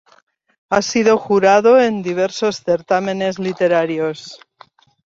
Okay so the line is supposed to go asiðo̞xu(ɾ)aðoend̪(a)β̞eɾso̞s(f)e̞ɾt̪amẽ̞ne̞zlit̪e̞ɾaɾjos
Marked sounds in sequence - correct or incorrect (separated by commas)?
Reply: correct, incorrect, incorrect